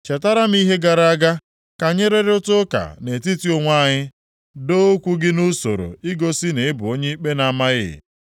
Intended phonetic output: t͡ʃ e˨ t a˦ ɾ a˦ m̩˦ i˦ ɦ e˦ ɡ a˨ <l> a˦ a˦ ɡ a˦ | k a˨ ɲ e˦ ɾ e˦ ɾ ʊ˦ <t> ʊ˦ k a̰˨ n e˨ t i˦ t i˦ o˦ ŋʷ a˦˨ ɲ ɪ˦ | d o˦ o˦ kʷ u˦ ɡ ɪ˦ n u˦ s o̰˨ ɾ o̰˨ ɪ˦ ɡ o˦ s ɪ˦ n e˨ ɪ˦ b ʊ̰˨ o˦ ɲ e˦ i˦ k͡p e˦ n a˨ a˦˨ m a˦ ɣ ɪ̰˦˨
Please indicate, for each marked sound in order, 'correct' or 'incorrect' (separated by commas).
incorrect, correct